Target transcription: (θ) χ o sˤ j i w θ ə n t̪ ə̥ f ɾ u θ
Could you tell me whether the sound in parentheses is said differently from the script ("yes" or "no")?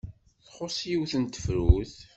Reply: no